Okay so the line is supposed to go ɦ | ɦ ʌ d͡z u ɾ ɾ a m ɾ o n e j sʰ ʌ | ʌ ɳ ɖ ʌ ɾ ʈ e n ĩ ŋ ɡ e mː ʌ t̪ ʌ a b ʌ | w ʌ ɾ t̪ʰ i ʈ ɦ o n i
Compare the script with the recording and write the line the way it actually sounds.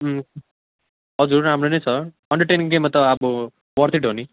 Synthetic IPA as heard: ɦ | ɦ ʌ d͡z u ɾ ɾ a m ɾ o n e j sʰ ʌ | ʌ ɳ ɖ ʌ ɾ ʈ e n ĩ ŋ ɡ e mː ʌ t̪ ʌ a b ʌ | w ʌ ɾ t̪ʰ i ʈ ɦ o n i

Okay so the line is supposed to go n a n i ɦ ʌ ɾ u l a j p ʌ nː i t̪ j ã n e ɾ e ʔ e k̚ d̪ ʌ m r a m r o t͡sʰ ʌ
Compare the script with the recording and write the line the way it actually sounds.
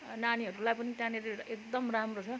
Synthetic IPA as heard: n a n i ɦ ʌ ɾ u l a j p ʌ n i t̪ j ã n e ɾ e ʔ e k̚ d̪ ʌ m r a m r o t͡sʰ ʌ

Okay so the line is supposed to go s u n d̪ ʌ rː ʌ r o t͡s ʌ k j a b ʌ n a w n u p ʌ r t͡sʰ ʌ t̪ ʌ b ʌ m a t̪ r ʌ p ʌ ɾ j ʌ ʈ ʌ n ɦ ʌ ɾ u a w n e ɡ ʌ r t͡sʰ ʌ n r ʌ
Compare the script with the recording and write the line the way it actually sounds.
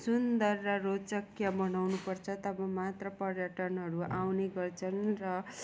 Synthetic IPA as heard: s u n d̪ ʌ rː ʌ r o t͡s ʌ k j a b ʌ n a w n u p ʌ r t͡sʰ ʌ t̪ ʌ b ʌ m a t̪ r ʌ p ʌ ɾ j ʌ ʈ ʌ n ɦ ʌ ɾ u a w n e ɡ ʌ r t͡sʰ ʌ n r ʌ

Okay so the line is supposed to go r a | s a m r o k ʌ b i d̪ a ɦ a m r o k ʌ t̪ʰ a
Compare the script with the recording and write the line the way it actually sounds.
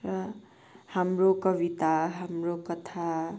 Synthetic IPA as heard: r ʌ | h a m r o k ʌ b i t̪ a ɦ a m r o k ʌ t̪ʰ a

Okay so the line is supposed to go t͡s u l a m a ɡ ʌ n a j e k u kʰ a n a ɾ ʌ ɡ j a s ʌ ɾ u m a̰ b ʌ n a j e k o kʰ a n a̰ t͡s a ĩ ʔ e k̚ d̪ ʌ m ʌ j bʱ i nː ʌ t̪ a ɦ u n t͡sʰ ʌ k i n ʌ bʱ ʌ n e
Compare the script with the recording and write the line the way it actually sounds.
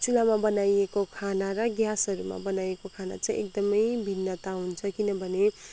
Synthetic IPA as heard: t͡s u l a m a b ʌ n a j e k o kʰ a n a ɾ ʌ ɡ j a s ʌ ɾ u m a̰ b ʌ n a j e k o kʰ a n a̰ t͡s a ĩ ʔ e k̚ d̪ ʌ m ʌ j bʱ i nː ʌ t̪ a ɦ u n t͡sʰ ʌ k i n ʌ bʱ ʌ n e

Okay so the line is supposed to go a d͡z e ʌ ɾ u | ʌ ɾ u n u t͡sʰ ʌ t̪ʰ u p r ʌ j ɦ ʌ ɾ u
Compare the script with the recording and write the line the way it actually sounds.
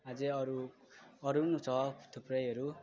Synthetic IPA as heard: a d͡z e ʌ ɾ u | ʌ ɾ u n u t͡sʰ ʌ t̪ʰ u p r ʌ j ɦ ʌ ɾ u

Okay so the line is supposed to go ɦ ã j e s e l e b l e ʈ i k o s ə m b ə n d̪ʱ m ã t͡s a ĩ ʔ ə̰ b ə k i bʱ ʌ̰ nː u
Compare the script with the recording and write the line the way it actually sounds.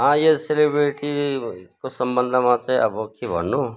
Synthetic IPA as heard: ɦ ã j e s e l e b ɾ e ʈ i k o s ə m b ə n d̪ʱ m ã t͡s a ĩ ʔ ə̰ b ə k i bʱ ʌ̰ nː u

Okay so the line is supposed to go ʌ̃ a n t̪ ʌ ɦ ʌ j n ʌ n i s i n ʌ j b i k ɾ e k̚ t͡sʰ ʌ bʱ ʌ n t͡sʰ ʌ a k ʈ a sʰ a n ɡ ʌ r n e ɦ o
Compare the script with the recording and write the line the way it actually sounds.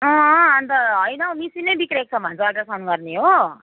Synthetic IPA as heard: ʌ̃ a n t̪ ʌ ɦ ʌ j n ʌ m i s i n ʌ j b i k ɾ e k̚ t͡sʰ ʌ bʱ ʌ n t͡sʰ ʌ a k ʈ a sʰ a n ɡ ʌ r n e ɦ o

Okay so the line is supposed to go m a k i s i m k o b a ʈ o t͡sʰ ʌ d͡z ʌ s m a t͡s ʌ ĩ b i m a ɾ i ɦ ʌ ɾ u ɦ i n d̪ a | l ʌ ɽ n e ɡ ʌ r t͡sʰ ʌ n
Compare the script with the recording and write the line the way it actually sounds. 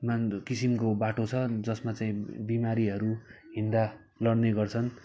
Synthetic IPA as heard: m a k i s i m k o b a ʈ o t͡sʰ ʌ d͡z ʌ s m a t͡s a ĩ b i m a ɾ i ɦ ʌ ɾ u ɦ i n d̪ a | l ʌ ɽ n e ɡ ʌ r t͡sʰ ʌ n

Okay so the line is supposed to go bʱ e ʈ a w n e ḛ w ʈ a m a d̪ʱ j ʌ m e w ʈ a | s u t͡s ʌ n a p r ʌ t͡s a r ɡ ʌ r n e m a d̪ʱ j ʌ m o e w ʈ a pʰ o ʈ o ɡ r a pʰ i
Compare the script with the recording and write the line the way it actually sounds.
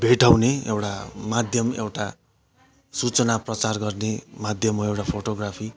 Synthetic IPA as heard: bʱ e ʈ a w n e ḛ w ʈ a m a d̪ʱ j ʌ m e w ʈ a | s u t͡s ʌ n a p r ʌ t͡s a r ɡ ʌ r n e m a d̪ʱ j ʌ m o e w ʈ a pʰ o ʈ o ɡ r a pʰ i

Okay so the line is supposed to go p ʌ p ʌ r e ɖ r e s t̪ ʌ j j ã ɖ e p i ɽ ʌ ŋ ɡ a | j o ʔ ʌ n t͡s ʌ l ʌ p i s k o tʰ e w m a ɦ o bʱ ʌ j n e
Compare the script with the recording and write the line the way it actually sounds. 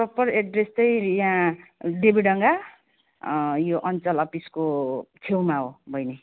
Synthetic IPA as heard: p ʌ p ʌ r e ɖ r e s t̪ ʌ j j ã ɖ e b i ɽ ʌ ŋ ɡ a | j o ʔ ʌ n t͡s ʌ l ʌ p i s k o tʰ e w m a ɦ o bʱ ʌ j n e

